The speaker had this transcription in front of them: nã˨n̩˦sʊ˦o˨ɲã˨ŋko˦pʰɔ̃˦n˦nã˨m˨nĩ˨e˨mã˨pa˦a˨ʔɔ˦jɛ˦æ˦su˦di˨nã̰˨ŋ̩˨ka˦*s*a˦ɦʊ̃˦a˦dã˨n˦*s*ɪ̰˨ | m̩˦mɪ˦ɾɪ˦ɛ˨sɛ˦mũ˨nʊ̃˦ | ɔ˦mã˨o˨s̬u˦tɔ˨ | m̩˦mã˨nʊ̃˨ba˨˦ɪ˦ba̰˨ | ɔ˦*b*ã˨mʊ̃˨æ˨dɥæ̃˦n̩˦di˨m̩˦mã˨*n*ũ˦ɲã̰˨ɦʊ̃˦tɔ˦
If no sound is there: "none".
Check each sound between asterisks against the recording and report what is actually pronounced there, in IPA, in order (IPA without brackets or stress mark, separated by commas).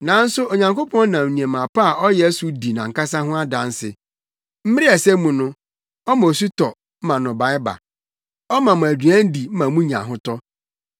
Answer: s, s, m, m